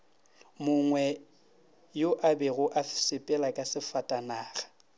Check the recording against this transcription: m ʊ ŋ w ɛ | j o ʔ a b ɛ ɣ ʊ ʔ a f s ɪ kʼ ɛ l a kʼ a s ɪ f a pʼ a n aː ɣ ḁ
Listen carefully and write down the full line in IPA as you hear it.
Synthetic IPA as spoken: m ʊ ŋ w ɛ | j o ʔ a b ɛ ɣ ʊ ʔ a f s ɪ pʼ ɛ l a kʼ a s ɪ f a tʼ a n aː ɣ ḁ